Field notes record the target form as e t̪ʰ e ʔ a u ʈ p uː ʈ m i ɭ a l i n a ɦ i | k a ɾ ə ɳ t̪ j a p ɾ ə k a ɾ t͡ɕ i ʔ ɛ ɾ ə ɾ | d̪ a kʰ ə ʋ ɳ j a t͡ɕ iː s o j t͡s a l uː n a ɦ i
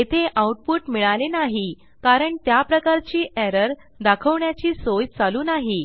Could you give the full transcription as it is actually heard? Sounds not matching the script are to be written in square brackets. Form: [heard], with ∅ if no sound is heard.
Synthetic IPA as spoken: e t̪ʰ e ʔ a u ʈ p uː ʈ m i ɭ a l [e] n a ɦ i | k a ɾ ə ɳ t̪ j a p ɾ ə k a ɾ t͡ɕ [iː] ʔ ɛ ɾ ə ɾ | d̪ a kʰ ə ʋ ɳ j a t͡ɕ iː s o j t͡s a l uː n a ɦ i